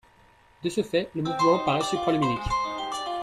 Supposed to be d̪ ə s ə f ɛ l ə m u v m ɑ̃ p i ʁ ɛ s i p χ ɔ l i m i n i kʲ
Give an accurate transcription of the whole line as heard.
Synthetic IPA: d̪ ə s ə f ɛ l ə m u v m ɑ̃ p a ʁ ɛ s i p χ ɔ l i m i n i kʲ

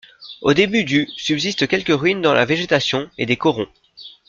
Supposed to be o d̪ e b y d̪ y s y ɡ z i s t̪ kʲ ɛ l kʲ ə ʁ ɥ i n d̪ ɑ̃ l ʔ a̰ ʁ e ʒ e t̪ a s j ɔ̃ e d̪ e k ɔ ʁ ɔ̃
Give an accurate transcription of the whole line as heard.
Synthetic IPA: o d̪ e b y d̪ y s y b z i s t̪ kʲ ɛ l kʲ ə ʁ ɥ i n d̪ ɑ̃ l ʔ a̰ v e ʒ e t̪ a s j ɔ̃ e d̪ e k ɔ ʁ ɔ̃

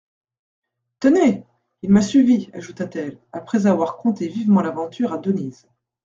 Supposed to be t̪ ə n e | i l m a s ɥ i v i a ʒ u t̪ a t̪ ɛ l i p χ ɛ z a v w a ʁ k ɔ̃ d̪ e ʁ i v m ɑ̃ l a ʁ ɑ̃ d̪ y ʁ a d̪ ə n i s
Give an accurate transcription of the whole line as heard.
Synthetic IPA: t̪ ə n e | i l m a s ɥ i v i a ʒ u t̪ a t̪ ɛ l a p χ ɛ z a v w a ʁ k ɔ̃ t̪ e v i v m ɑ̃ l a v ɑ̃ t̪ y ʁ a d̪ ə n i z

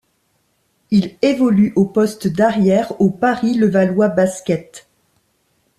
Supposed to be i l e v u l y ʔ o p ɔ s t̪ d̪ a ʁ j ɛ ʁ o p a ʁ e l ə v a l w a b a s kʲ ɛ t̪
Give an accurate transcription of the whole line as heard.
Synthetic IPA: i l e v ɔ l y ʔ o p ɔ s t̪ d̪ a ʁ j ɛ ʁ o p a ʁ i l ə v a l w a b a s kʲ ɛ t̪

